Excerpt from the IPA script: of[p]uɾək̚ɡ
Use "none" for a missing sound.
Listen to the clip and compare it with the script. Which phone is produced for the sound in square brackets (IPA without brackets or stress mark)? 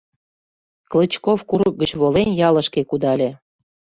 k